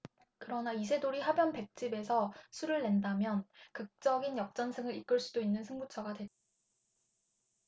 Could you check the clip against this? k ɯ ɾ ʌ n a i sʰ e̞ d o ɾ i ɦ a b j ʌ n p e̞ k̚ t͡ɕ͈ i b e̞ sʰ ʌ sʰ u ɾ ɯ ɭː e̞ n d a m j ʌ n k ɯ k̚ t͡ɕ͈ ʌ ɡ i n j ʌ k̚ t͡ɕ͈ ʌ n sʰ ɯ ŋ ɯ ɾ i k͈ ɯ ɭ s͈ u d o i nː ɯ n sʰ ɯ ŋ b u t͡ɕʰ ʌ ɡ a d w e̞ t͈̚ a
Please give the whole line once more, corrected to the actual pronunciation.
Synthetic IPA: k ɯ ɾ ʌ n a i sʰ e̞ d o ɾ i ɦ a b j ʌ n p e̞ k̚ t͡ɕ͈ i b e̞ sʰ ʌ sʰ u ɾ ɯ ɭː e̞ n d a m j ʌ n k ɯ k̚ t͡ɕ͈ ʌ ɡ i n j ʌ k̚ t͡ɕ͈ ʌ n sʰ ɯ ŋ ɯ ɾ i k͈ ɯ ɭ s͈ u d o i nː ɯ n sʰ ɯ ŋ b u t͡ɕʰ ʌ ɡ a d w e̞ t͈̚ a